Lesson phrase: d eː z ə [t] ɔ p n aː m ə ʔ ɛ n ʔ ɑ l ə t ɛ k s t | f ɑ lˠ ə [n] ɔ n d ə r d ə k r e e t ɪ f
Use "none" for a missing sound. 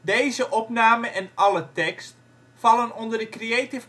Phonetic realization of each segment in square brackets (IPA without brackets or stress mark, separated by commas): ʔ, n